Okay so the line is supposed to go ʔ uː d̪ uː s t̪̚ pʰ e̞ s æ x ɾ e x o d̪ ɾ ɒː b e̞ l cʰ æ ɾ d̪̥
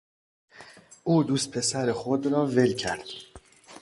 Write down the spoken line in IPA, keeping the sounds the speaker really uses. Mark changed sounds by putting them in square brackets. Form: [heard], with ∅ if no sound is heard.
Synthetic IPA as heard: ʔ uː d̪ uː s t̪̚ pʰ e̞ s æ [∅] ɾ e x o d̪ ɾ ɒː [v] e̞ l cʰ æ ɾ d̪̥